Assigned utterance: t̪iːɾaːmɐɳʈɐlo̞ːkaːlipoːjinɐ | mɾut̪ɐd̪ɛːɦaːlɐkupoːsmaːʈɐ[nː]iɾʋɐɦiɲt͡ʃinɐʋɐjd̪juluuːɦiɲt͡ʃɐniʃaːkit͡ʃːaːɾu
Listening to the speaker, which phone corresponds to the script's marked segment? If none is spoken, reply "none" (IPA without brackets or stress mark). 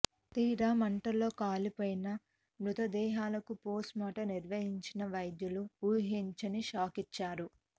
n